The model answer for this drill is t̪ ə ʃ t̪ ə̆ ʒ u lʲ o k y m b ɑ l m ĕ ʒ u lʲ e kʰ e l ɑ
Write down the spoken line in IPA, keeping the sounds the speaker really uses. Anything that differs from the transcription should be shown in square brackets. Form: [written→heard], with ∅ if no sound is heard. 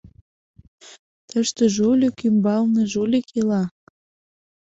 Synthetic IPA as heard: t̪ ə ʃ t̪ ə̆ ʒ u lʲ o k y m b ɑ l [m→n] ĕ ʒ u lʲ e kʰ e l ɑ